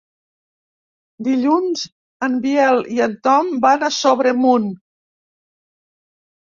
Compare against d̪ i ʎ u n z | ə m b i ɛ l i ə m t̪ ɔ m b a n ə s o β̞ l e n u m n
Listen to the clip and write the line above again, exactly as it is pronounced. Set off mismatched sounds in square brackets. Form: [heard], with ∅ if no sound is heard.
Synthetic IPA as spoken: d̪ i ʎ u n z | ə m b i ɛ l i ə [n] t̪ ɔ m b a n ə s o β̞ [ɾ] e [m] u [∅] n